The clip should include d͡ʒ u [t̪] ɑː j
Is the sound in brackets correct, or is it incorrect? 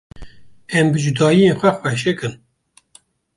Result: incorrect: d̪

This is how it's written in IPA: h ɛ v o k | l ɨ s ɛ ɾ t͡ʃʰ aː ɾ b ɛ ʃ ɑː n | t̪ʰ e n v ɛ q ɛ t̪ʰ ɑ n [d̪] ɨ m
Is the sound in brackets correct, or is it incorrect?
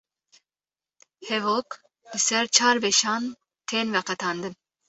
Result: correct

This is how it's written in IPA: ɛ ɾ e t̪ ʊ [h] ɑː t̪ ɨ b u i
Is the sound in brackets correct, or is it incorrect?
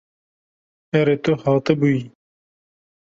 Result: correct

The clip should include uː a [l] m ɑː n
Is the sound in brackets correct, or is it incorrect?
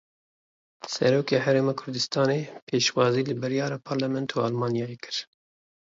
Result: correct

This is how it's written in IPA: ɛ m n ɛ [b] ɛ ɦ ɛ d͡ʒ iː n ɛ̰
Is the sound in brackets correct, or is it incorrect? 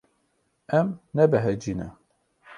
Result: correct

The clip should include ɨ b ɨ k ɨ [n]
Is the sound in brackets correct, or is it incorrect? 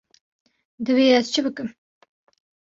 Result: incorrect: m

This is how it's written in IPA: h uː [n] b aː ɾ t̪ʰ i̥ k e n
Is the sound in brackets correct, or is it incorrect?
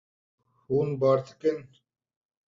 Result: correct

